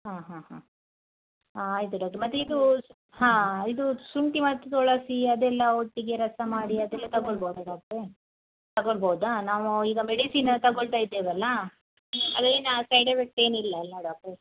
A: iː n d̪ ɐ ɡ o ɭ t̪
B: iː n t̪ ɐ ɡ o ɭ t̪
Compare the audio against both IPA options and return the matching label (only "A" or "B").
B